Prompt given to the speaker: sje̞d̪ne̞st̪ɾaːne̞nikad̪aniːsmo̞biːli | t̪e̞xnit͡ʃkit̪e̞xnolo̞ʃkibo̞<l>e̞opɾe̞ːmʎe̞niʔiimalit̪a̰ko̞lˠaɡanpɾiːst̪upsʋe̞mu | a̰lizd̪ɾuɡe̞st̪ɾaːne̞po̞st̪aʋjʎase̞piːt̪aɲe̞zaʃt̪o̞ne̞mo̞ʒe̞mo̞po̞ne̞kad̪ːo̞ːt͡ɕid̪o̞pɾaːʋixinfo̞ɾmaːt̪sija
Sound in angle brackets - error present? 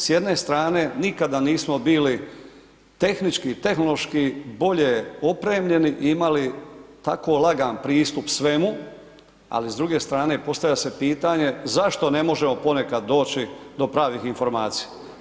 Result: yes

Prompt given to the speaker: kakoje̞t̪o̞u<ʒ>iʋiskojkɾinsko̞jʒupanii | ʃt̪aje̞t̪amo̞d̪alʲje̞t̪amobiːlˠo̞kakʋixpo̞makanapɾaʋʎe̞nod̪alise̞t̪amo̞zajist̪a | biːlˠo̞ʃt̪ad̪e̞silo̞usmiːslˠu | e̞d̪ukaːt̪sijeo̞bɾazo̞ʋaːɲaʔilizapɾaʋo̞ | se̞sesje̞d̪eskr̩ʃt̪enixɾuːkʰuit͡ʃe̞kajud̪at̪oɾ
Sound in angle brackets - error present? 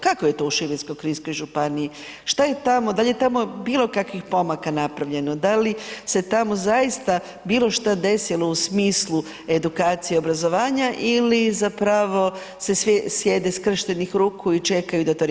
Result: yes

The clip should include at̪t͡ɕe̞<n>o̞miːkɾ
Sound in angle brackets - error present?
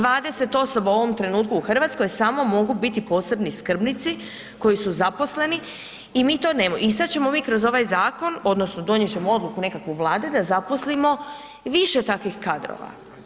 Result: yes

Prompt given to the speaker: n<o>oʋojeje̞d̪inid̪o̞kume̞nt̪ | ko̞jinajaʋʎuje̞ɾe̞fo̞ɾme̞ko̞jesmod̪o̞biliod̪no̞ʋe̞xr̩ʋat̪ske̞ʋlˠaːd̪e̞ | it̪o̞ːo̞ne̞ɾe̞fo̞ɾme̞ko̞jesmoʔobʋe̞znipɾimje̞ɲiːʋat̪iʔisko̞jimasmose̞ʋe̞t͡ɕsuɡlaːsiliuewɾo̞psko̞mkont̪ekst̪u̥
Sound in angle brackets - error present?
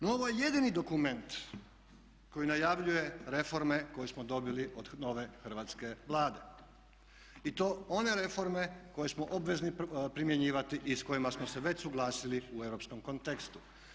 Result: no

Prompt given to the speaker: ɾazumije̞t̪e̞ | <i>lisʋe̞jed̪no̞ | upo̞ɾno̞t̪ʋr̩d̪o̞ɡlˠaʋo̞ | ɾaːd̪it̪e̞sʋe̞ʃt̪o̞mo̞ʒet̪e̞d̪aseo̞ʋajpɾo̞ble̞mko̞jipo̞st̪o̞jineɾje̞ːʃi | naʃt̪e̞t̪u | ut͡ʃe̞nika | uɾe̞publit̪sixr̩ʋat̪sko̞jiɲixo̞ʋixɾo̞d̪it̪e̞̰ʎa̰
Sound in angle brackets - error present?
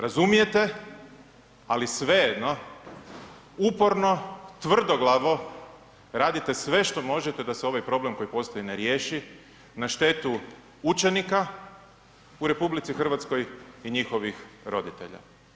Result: yes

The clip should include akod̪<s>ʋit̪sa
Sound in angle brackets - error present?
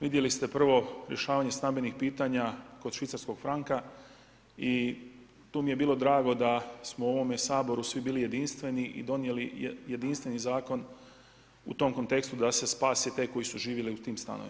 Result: yes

